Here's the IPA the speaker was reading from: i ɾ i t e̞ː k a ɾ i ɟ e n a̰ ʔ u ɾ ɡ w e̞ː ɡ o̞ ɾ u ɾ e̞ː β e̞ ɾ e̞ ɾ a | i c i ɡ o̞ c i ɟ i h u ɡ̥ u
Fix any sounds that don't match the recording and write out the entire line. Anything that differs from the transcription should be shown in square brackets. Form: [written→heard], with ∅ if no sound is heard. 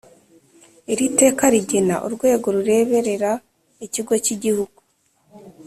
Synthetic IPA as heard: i ɾ i t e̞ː k a ɾ i ɟ e n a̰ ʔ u ɾ ɡ w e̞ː ɡ o̞ ɾ u ɾ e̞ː β e̞ ɾ e̞ ɾ a | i c i ɡ o̞ c i ɟ i h u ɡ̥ u